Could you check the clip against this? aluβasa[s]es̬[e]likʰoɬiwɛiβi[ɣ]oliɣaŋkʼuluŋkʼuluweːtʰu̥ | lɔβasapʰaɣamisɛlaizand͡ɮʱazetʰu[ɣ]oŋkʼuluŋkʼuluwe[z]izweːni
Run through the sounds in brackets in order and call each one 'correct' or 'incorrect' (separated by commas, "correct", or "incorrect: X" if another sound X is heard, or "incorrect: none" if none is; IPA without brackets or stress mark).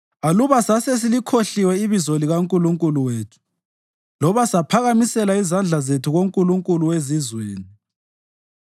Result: correct, incorrect: i, incorrect: z, correct, correct